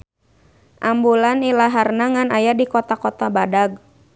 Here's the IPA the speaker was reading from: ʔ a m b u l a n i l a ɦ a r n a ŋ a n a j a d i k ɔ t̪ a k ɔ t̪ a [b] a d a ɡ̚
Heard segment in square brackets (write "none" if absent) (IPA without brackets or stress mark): b